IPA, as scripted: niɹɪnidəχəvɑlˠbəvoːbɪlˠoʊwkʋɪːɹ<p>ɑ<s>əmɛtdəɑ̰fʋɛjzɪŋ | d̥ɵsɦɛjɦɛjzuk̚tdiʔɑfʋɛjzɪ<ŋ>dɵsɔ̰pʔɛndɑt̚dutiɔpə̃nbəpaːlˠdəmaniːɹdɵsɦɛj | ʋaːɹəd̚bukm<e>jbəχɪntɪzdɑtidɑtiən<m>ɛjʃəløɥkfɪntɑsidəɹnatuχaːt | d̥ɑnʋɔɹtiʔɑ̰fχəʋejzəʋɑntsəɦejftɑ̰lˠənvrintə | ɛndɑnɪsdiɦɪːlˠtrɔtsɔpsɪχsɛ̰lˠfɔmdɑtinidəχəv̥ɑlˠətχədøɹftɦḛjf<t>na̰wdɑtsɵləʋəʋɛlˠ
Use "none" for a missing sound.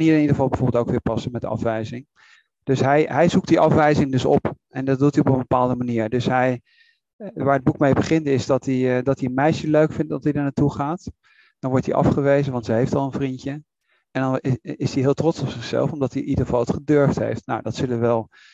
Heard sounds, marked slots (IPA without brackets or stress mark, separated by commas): p, s, ŋ, e, m, t